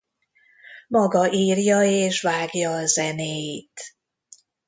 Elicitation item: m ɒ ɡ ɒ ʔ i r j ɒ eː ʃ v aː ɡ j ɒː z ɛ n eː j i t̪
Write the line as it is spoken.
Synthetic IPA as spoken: m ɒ ɡ ɒ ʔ iː r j ɒ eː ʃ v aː ɡ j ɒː z ɛ n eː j i t̪